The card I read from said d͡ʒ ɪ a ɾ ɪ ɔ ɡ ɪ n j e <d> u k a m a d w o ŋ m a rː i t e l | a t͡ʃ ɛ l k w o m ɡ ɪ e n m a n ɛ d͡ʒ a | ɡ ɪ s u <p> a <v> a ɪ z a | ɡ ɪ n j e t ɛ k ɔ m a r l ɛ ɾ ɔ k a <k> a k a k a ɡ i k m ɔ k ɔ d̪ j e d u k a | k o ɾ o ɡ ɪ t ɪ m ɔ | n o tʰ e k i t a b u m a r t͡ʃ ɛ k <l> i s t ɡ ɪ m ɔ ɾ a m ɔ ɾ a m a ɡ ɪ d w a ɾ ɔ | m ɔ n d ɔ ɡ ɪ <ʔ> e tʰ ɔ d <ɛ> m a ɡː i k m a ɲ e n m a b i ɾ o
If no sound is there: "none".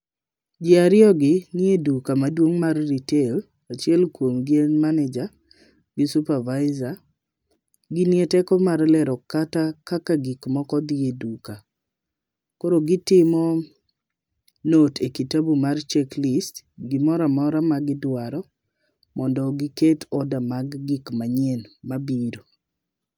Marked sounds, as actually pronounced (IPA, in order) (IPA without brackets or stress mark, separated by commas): d, p, v, t, l, k, a